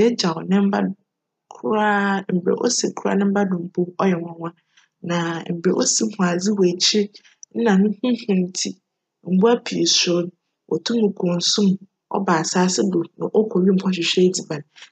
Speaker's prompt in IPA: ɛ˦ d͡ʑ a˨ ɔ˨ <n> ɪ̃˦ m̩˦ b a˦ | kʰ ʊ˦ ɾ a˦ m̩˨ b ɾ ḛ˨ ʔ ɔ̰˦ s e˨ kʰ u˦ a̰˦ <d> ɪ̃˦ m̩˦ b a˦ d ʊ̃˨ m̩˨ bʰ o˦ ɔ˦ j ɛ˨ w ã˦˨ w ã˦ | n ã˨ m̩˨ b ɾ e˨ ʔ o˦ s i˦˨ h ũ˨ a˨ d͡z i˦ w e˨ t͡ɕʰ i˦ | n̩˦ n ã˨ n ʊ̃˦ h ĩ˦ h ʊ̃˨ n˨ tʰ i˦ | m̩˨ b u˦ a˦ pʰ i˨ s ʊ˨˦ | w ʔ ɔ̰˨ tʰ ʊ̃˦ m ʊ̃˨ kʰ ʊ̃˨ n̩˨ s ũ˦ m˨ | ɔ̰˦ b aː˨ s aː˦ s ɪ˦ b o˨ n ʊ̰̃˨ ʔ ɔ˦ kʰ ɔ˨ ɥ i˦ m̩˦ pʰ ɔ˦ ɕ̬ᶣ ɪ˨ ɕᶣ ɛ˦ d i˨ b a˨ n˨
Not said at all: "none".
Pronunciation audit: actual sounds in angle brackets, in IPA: n, n

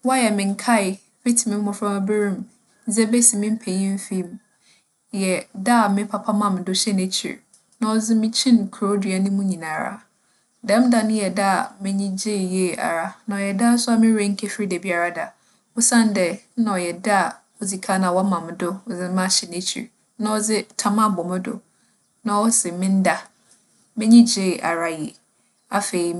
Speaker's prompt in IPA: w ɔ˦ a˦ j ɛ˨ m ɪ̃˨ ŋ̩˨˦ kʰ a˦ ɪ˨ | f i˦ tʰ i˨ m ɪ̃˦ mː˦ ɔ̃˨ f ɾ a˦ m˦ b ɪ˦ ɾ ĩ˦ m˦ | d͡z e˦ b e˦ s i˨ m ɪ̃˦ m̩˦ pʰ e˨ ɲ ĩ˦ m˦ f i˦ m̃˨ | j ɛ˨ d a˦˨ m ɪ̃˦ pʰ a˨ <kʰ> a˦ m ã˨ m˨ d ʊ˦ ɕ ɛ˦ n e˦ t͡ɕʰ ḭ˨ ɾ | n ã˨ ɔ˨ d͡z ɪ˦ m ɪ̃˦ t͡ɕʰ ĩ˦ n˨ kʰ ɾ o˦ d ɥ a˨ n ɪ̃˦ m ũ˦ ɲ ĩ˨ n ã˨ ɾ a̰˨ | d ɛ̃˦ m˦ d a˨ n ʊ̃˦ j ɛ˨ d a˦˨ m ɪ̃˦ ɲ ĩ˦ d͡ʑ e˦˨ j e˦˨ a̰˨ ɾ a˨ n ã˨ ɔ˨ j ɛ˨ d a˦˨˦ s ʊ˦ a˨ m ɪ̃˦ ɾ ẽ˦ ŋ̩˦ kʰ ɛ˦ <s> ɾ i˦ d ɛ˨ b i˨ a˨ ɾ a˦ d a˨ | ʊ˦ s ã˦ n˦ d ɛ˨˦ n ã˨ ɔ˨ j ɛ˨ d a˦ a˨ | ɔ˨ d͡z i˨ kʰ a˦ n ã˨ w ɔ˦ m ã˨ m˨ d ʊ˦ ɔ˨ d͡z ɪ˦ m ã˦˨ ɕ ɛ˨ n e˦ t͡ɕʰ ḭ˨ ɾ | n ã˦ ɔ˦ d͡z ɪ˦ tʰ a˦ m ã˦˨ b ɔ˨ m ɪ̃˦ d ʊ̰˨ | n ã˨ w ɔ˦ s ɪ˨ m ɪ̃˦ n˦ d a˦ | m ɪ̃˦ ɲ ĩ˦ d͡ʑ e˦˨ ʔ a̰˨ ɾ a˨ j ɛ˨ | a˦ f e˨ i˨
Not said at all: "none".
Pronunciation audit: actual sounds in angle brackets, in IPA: pʰ, f

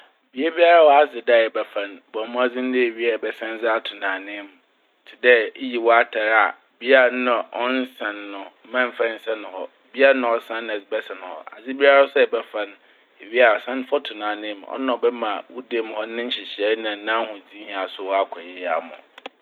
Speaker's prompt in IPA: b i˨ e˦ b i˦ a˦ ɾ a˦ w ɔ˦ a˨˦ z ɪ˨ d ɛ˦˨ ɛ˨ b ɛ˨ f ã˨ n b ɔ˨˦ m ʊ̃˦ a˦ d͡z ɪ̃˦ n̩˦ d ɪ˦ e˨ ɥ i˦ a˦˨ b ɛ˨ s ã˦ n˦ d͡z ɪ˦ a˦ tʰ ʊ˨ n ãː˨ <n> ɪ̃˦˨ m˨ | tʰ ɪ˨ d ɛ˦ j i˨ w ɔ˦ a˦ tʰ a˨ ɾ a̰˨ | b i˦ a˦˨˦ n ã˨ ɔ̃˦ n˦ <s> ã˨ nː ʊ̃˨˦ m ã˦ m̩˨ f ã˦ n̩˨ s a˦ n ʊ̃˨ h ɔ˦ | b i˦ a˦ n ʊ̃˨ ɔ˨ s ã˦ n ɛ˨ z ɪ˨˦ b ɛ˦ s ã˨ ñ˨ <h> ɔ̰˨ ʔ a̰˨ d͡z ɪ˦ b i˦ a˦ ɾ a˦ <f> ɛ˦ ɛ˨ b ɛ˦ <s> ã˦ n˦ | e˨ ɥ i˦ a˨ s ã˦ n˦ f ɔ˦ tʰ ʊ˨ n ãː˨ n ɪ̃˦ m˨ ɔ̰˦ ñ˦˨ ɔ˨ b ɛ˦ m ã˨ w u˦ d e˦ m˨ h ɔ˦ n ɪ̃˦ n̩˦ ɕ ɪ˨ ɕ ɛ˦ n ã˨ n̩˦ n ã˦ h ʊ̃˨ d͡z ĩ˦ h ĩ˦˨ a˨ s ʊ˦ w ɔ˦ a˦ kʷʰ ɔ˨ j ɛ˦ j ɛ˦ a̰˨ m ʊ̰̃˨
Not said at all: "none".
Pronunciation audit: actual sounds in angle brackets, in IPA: n, s, h, s, f

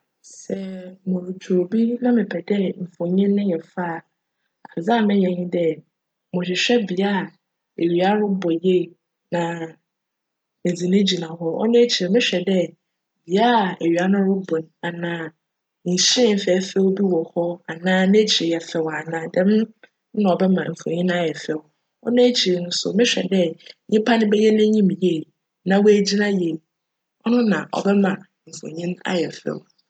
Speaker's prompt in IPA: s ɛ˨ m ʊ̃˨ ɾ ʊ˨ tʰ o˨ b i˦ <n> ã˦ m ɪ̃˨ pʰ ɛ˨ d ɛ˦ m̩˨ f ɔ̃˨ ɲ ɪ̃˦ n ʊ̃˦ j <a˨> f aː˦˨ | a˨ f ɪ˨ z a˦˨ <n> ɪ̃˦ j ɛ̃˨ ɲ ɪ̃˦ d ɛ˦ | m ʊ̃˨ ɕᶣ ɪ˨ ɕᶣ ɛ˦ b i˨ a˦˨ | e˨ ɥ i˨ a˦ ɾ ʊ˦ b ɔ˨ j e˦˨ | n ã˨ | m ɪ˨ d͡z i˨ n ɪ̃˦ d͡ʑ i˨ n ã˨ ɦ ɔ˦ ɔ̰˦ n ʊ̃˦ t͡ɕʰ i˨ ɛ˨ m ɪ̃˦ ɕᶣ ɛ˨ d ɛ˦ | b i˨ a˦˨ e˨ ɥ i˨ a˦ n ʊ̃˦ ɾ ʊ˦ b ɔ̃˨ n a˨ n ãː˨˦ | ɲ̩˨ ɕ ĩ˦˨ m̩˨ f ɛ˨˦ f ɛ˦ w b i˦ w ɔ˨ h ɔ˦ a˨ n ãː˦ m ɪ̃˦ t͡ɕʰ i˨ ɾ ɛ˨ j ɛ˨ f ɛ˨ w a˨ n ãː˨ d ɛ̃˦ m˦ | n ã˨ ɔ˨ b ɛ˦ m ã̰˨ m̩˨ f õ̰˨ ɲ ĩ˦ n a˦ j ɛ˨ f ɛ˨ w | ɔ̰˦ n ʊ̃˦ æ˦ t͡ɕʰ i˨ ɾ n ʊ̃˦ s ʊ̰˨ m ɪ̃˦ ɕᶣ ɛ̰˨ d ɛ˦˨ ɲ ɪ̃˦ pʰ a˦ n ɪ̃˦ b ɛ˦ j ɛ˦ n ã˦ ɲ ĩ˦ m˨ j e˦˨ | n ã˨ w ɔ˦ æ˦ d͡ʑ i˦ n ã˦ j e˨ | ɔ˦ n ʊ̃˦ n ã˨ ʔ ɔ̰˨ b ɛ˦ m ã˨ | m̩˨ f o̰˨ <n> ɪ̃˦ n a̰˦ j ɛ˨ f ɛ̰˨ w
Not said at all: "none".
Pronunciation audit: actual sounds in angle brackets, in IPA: n, ɛ˨, m, ɲ

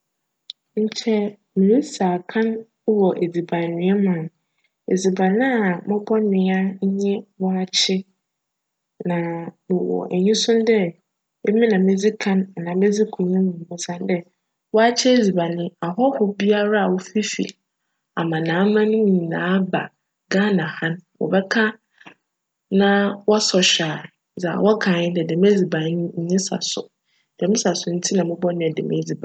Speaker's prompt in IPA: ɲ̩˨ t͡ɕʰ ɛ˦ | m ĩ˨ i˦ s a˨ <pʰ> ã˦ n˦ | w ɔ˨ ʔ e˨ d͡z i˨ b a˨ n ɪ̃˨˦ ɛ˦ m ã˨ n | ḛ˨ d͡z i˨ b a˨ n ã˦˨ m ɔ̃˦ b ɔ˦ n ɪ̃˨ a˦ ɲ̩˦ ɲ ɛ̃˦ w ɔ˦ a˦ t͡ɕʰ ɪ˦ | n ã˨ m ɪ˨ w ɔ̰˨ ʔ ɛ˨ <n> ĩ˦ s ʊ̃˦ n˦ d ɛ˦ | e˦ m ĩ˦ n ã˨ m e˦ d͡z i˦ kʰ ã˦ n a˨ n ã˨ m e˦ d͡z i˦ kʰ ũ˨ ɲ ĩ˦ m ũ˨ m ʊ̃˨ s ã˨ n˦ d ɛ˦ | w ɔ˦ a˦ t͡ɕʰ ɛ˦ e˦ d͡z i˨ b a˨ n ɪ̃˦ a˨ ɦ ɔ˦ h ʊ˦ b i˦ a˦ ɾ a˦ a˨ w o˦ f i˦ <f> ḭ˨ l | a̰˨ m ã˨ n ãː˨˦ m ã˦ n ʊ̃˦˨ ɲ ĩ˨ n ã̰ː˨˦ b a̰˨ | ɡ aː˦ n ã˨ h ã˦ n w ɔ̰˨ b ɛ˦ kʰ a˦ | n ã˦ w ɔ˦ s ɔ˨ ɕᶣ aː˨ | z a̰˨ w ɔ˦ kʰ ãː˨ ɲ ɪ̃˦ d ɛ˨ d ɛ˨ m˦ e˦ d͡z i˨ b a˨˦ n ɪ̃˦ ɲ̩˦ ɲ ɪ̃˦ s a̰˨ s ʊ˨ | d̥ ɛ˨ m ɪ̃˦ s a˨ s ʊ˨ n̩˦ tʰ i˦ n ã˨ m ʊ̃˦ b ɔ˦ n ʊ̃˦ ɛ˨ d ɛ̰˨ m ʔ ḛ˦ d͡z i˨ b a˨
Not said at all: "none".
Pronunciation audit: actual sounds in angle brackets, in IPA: kʰ, ɲ, f

